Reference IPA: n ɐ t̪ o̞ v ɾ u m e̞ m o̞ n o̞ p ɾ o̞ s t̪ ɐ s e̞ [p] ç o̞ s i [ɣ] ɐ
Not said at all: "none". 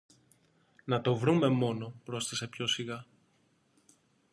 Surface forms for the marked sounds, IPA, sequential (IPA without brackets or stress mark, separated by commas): p, ɣ